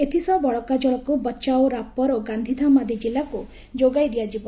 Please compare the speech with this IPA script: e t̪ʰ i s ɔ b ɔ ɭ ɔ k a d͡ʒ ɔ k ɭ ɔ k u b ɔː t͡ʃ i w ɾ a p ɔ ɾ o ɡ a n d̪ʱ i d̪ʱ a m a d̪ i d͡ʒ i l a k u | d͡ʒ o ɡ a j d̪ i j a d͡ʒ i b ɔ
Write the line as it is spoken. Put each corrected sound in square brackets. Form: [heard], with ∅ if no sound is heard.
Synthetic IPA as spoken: e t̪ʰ i s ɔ b ɔ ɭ ɔ k a d͡ʒ ɔ [∅] ɭ ɔ k u b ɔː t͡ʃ [a] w ɾ a p ɔ ɾ o ɡ a n d̪ʱ i d̪ʱ a m a d̪ i d͡ʒ i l a k u | d͡ʒ o ɡ a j d̪ i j a d͡ʒ i b ɔ